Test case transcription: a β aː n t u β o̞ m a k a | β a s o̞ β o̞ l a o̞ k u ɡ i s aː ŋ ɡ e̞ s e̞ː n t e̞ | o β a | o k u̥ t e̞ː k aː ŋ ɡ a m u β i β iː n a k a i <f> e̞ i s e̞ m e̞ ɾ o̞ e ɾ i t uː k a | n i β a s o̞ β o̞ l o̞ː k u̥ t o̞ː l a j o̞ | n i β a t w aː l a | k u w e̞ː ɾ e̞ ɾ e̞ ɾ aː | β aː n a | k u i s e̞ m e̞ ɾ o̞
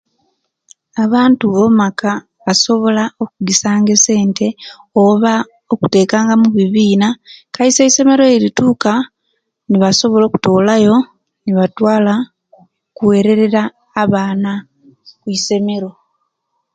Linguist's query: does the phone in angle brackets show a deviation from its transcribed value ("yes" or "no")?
yes